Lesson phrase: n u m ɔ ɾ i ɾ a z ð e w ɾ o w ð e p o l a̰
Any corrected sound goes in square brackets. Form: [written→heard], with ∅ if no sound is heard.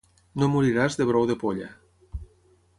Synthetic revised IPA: n [u→o] m [ɔ→u] ɾ i ɾ a z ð e [w→β] ɾ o w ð e p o [l→ʎ] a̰